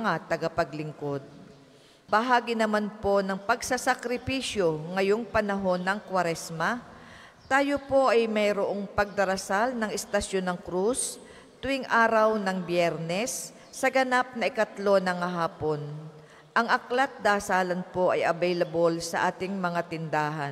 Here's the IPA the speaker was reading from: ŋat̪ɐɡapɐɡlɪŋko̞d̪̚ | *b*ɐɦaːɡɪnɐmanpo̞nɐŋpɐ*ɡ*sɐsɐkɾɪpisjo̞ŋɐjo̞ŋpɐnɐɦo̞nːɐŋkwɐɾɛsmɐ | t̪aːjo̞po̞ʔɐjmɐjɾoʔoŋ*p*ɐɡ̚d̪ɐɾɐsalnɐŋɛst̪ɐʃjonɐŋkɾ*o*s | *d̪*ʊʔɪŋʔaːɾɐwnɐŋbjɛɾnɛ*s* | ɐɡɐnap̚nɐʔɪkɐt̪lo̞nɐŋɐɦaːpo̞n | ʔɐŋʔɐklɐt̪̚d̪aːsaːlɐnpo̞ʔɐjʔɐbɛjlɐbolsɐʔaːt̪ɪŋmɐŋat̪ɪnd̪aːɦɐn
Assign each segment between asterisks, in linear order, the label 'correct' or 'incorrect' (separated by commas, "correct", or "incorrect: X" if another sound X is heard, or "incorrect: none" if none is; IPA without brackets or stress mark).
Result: correct, correct, correct, incorrect: u, incorrect: t̪, incorrect: sː